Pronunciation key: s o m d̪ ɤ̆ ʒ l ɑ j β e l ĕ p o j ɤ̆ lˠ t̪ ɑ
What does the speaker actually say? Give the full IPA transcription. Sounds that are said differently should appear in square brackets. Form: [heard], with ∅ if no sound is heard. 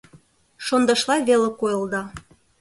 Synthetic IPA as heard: [ʃ] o [n] d̪ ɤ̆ [ʃ] l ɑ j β e l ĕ [k] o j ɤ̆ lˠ [d̪] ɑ